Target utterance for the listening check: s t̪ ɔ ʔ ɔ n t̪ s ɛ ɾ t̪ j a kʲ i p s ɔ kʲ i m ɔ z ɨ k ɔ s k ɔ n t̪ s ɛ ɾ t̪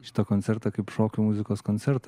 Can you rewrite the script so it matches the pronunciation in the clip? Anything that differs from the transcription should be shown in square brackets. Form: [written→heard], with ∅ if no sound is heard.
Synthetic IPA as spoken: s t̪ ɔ [ʔ→k] ɔ n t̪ s ɛ ɾ t̪ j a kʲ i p [s→ʂ] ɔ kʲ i m [ɔ→u] z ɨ k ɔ s k ɔ n t̪ s ɛ ɾ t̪